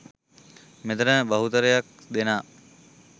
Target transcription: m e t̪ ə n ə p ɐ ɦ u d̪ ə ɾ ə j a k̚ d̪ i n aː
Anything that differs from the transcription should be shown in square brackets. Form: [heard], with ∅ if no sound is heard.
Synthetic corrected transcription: m e t̪ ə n ə [b] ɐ ɦ u [t̪] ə ɾ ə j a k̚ d̪ [e] n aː